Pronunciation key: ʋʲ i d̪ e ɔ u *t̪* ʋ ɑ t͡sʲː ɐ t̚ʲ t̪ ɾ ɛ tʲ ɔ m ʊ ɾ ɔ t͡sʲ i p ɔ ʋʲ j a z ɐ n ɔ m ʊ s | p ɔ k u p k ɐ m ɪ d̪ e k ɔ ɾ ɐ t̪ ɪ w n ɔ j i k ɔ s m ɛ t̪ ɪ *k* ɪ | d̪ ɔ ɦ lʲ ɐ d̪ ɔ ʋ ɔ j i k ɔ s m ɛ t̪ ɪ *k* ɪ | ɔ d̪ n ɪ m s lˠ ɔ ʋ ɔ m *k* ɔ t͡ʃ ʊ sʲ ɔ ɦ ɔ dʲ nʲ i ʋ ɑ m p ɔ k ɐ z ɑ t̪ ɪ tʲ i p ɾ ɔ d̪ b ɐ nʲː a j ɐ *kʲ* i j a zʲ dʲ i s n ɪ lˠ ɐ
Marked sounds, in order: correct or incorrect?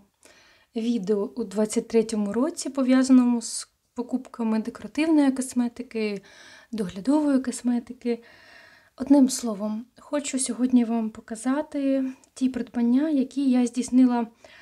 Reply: incorrect: d̪, correct, correct, incorrect: x, correct

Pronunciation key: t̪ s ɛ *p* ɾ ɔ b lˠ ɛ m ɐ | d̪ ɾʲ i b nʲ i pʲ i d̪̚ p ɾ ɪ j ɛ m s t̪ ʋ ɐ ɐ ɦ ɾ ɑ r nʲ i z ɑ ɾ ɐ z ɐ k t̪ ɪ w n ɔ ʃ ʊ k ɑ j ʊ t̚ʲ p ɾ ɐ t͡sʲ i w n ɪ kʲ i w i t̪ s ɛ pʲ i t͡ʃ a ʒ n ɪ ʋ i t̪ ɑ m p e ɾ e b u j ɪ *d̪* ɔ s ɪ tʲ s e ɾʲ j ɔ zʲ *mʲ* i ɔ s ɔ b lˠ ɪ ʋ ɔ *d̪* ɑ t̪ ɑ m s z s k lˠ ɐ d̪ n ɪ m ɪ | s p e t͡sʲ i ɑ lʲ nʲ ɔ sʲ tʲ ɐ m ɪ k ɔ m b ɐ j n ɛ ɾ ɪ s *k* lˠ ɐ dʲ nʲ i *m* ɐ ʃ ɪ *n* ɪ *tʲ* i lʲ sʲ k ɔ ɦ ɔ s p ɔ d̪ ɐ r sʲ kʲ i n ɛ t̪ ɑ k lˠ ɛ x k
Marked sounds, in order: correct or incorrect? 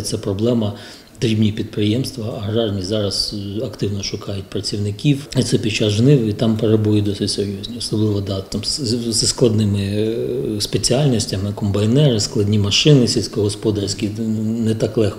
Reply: correct, correct, incorrect: nʲ, correct, correct, correct, correct, incorrect: sʲ

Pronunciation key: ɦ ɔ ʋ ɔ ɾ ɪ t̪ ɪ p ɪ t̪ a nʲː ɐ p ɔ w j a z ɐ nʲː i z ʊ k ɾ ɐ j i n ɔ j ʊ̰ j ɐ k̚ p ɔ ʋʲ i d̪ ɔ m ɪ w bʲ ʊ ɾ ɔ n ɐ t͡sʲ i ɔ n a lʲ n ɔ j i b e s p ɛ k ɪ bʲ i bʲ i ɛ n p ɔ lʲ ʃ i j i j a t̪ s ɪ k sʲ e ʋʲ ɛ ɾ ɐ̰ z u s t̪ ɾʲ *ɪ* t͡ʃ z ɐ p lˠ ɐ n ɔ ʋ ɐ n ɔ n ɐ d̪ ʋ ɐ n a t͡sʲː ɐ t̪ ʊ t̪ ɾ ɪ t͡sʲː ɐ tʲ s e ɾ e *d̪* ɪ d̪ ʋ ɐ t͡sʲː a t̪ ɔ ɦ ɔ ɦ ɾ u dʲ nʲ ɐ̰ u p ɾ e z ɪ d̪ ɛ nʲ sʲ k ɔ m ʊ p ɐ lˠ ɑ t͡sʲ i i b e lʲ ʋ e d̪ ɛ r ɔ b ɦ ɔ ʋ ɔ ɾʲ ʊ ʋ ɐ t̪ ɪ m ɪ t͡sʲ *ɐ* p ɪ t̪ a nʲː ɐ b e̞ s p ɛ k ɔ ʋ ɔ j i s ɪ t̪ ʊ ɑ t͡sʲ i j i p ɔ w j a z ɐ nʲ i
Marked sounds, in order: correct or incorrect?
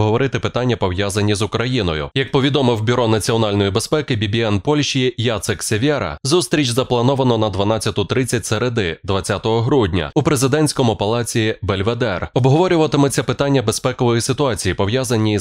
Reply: incorrect: i, correct, correct

